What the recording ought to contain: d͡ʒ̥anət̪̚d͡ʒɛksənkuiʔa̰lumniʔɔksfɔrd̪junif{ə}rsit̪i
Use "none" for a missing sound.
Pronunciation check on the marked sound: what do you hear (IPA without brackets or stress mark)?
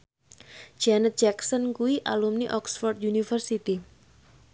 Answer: ə